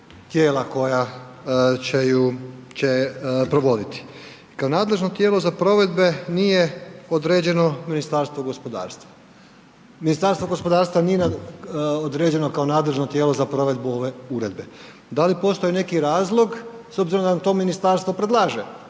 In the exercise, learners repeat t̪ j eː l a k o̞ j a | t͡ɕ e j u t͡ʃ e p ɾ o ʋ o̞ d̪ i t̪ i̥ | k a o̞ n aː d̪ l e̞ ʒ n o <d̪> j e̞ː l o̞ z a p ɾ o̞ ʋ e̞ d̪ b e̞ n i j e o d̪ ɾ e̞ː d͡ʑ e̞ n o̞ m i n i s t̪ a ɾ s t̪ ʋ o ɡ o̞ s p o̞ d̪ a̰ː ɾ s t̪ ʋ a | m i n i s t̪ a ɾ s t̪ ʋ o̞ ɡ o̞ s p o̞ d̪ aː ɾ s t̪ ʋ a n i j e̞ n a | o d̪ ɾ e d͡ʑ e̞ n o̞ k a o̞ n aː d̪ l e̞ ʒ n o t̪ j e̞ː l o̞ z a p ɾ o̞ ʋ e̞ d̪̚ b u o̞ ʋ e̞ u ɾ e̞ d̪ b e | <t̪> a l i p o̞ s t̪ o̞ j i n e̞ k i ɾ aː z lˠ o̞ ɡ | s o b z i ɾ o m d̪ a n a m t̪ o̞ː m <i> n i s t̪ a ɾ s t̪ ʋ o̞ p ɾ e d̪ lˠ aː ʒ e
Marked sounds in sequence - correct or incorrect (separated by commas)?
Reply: incorrect, incorrect, correct